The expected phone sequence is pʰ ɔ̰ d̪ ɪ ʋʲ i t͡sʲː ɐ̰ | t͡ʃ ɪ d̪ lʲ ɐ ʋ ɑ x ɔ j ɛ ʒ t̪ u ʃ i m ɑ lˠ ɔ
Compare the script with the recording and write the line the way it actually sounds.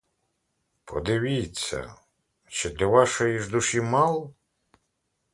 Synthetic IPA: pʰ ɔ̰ d̪ ɪ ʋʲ i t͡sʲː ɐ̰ | t͡ʃ ɪ d̪ lʲ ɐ ʋ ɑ ʃ ɔ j i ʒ d̪ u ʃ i m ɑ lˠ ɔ